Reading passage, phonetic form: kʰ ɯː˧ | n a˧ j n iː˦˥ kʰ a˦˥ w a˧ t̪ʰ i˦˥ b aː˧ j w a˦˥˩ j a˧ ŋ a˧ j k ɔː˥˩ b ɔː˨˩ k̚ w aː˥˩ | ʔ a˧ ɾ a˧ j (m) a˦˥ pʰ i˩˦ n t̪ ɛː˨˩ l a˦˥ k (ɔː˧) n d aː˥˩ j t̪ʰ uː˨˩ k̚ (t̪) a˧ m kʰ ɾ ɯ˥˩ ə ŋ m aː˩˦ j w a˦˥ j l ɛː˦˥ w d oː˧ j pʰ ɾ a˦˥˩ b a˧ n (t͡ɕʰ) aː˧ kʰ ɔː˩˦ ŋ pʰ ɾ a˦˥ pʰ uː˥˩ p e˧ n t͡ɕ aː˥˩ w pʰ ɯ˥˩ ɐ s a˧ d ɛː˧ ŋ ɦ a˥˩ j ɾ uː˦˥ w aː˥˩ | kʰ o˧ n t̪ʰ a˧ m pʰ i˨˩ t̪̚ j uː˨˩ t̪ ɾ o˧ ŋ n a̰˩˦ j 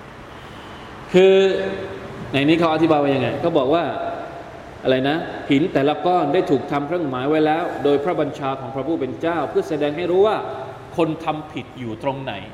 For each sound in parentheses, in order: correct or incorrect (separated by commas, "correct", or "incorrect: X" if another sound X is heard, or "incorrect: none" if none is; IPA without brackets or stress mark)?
incorrect: n, incorrect: ɔː˥˩, incorrect: t̪ʰ, correct